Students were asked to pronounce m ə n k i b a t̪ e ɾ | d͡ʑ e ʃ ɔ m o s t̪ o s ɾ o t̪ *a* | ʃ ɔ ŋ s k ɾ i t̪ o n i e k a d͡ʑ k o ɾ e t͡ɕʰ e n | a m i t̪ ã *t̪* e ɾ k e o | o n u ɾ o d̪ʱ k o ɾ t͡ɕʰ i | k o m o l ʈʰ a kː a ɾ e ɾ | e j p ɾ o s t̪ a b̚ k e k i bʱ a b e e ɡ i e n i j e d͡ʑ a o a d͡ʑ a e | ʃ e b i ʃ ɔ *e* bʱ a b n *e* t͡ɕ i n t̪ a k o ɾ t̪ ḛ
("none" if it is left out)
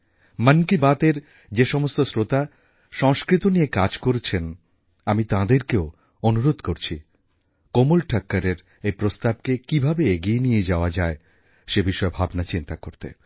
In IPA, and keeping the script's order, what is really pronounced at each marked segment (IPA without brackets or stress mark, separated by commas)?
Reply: a, d̪, e, a